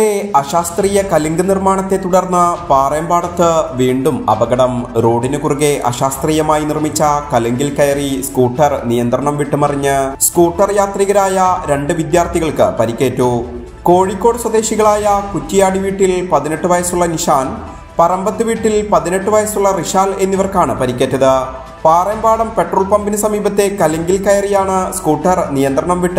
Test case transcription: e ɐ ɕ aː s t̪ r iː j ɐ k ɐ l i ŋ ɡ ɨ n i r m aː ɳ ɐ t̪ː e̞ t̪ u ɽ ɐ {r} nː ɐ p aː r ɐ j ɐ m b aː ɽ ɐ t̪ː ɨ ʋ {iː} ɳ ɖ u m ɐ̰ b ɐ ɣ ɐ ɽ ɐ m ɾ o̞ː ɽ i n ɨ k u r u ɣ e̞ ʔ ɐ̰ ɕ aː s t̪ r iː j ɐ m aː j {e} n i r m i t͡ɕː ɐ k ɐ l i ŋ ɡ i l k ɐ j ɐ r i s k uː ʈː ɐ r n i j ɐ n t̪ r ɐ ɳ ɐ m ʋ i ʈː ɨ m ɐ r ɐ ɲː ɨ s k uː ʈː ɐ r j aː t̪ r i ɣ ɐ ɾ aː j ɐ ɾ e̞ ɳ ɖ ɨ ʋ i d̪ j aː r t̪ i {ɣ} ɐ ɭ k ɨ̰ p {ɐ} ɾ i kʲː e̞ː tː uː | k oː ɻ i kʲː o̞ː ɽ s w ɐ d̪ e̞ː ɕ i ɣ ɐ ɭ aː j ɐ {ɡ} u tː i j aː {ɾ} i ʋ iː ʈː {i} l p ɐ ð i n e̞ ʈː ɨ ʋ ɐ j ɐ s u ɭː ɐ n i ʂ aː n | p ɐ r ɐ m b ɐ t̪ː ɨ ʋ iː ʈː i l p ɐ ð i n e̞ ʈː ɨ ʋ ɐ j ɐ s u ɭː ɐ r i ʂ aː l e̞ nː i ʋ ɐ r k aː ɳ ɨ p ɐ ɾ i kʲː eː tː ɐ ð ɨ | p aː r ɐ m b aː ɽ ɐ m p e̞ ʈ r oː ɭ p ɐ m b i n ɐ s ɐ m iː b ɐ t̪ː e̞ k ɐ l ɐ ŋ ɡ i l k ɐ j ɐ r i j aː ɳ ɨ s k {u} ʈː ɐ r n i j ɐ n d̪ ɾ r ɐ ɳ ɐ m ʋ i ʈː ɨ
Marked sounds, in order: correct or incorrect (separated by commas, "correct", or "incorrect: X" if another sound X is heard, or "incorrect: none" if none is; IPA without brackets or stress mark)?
correct, correct, incorrect: i, correct, correct, incorrect: k, incorrect: ɽ, correct, incorrect: uː